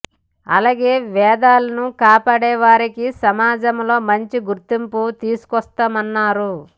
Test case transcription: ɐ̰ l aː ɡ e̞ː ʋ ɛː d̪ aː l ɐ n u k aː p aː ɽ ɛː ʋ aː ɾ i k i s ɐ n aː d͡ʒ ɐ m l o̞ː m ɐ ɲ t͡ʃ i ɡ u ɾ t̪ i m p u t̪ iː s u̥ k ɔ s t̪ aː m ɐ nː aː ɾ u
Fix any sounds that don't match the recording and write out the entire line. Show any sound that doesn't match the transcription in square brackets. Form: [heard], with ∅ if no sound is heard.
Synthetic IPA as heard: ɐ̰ l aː ɡ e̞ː ʋ ɛː d̪ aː l ɐ n u k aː p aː ɽ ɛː ʋ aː ɾ i k i s ɐ [m] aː d͡ʒ ɐ m l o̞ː m ɐ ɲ t͡ʃ i ɡ u ɾ t̪ i m p u t̪ iː s u̥ k ɔ s t̪ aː m ɐ nː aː ɾ u